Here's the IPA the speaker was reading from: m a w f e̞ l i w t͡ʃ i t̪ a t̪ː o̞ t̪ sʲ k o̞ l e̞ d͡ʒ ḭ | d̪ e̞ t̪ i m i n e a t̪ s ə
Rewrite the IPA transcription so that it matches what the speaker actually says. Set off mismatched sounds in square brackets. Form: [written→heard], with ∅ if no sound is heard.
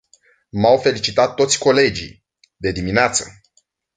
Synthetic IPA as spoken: m a w f e̞ l i [w→∅] t͡ʃ i t̪ a t̪ː o̞ t̪ sʲ k o̞ l e̞ d͡ʒ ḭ | d̪ e̞ [t̪→d̪] i m i n e a t̪ s ə